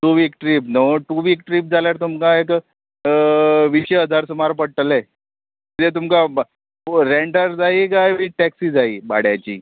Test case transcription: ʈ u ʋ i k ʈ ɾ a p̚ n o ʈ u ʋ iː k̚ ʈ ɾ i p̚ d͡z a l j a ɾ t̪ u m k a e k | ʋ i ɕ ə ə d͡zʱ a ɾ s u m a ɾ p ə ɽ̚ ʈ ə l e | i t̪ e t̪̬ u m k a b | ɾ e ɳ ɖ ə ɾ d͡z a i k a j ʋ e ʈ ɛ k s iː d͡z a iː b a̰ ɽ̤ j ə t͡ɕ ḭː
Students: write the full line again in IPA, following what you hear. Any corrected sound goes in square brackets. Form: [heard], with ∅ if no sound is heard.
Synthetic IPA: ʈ u ʋ i k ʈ ɾ [i] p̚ n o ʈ u ʋ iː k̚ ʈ ɾ i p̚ d͡z a l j a ɾ t̪ u m k a e k | ʋ i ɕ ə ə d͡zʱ a ɾ s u m a ɾ p ə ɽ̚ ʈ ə l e | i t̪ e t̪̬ u m k a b | ɾ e ɳ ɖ ə ɾ d͡z a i k a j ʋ [i] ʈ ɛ k s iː d͡z a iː b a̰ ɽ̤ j [a] t͡ɕ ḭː